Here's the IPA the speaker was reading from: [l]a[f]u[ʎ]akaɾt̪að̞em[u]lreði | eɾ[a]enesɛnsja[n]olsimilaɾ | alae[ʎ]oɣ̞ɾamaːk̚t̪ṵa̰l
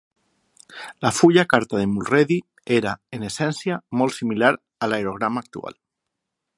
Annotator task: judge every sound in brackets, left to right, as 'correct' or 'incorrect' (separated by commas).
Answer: correct, correct, correct, correct, correct, incorrect, incorrect